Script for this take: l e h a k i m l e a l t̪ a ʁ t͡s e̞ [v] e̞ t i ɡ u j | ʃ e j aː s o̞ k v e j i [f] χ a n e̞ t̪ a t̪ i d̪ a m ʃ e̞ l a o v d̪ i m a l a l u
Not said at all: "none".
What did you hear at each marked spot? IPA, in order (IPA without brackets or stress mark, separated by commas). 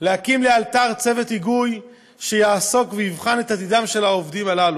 v, v